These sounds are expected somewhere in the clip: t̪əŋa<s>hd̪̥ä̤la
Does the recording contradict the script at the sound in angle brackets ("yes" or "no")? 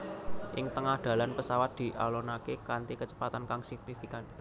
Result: yes